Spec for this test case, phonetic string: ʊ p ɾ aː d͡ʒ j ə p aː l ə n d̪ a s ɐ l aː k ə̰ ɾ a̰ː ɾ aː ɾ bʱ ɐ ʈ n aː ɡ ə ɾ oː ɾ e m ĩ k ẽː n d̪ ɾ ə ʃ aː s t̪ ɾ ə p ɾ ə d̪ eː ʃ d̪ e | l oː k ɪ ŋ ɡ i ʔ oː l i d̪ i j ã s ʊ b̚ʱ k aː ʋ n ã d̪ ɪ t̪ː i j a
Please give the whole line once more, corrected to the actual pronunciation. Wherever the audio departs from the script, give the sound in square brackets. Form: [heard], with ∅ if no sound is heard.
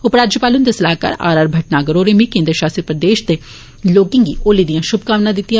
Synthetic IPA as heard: ʊ p ɾ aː d͡ʒ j ə p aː l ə n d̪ [e] s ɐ l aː k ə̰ ɾ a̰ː ɾ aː ɾ bʱ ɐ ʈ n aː ɡ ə ɾ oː ɾ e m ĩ k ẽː n d̪ ɾ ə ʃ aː s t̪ ɾ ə p ɾ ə d̪ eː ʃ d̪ e | l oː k ɪ ŋ ɡ i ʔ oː l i d̪ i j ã [ʃ] ʊ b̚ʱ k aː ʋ n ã d̪ ɪ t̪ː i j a

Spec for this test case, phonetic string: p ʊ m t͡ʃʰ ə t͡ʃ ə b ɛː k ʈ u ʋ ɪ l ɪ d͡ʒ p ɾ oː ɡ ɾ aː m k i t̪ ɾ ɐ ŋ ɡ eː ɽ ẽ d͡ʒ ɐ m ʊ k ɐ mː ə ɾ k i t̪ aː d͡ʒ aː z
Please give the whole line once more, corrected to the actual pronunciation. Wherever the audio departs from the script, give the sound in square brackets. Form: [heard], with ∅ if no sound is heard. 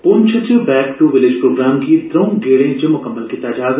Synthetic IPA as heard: p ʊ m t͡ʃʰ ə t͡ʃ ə b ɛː k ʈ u ʋ ɪ l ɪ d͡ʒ p ɾ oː ɡ ɾ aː m k i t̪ ɾ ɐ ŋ ɡ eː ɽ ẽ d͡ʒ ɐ m ʊ k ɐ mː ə [l] k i t̪ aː d͡ʒ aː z

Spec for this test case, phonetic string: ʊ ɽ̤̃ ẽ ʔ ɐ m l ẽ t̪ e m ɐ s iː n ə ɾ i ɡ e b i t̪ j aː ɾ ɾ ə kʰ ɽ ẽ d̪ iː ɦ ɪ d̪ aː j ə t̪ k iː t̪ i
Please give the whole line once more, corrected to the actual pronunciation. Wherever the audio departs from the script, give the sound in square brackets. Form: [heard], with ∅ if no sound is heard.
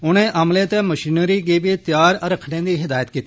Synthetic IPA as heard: ʊ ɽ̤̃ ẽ ʔ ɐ m l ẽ t̪ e m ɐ [ʃ] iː n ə ɾ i ɡ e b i t̪ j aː ɾ ɾ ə kʰ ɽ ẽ d̪ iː ɦ ɪ d̪ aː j ə t̪ k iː t̪ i

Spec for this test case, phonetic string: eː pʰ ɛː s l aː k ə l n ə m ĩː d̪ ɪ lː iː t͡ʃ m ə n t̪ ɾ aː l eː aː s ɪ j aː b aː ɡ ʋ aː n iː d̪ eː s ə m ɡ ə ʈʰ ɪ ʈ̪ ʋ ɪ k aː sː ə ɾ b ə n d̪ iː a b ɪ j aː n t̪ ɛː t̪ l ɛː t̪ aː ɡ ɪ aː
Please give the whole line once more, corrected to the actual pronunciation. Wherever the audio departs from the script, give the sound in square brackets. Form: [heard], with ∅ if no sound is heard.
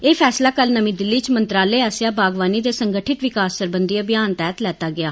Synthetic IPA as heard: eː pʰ ɛː s l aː k ə l n ə m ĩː d̪ ɪ lː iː t͡ʃ m ə n t̪ ɾ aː l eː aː s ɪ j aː b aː ɡ ʋ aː n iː d̪ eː s ə [ŋ] ɡ ə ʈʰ ɪ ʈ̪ ʋ ɪ k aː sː ə ɾ b ə n d̪ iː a b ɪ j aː n t̪ ɛː t̪ l ɛː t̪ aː ɡ ɪ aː

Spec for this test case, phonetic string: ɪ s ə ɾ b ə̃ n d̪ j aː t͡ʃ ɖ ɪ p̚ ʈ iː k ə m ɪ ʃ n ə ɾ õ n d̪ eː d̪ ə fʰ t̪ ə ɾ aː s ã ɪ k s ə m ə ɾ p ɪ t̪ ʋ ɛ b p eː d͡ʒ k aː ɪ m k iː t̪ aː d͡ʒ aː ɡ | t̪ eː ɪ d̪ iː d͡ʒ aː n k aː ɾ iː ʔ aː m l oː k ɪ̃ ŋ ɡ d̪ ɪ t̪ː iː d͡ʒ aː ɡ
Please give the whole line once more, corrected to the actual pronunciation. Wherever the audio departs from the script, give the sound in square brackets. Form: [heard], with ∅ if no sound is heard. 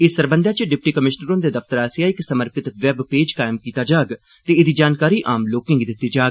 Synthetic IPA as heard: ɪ s ə ɾ b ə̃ n d̪ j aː t͡ʃ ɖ ɪ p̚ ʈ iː k ə m ɪ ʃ n ə ɾ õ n d̪ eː d̪ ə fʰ t̪ ə ɾ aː s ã ɪ k s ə m ə ɾ p ɪ t̪ ʋ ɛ b p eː d͡ʒ k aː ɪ m k iː t̪ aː d͡ʒ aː ɡ | t̪ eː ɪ d̪ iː d͡ʒ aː n k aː ɾ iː ʔ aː m l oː k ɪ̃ ŋ ɡ d̪ ɪ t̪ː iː d͡ʒ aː ɡ

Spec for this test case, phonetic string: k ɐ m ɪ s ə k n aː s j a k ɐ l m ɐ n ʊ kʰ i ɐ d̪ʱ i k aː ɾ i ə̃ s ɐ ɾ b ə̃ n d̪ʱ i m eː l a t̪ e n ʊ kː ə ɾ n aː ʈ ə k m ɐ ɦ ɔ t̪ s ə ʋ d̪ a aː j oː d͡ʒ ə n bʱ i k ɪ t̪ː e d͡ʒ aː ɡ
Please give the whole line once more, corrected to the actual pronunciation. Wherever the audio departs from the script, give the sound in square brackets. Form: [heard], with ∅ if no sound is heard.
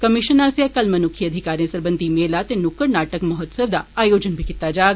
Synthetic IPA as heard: k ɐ m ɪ [ʃ] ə [∅] n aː s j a k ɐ l m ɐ n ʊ kʰ i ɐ d̪ʱ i k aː ɾ i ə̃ s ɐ ɾ b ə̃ n d̪ʱ i m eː l a t̪ e n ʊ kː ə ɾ n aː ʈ ə k m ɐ ɦ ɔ t̪ s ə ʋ d̪ a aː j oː d͡ʒ ə n bʱ i k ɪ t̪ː [a] d͡ʒ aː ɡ

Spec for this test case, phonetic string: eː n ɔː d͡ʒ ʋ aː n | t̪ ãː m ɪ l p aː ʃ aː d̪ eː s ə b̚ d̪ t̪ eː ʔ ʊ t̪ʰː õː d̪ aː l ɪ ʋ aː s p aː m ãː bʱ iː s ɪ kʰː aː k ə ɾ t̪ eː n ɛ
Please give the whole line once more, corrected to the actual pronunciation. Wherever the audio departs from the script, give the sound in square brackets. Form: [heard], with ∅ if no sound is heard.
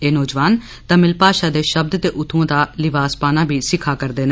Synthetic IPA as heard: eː n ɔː d͡ʒ ʋ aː n | t̪ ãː m ɪ l p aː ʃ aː d̪ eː [ʃ] ə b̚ d̪ t̪ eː ʔ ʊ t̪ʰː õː d̪ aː l ɪ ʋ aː s p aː [n] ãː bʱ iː s ɪ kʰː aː k ə ɾ [d̪] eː n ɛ

